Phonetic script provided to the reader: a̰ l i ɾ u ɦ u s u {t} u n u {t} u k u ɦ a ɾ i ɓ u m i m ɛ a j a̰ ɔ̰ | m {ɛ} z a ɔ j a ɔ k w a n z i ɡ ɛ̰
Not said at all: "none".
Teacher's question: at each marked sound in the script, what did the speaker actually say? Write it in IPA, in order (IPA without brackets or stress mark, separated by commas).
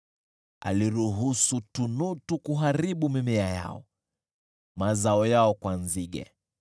t, t, a